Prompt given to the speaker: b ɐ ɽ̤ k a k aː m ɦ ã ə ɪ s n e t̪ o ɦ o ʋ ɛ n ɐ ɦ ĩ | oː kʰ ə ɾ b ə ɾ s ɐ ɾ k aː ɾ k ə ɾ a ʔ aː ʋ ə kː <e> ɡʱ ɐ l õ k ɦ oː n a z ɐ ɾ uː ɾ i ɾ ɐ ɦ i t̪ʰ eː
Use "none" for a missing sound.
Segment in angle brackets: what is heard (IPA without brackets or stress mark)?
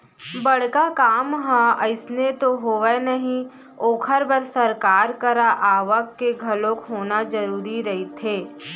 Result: e